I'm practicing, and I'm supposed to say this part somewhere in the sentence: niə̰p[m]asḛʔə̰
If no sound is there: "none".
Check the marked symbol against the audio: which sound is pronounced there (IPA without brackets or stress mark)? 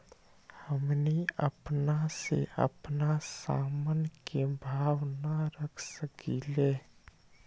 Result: n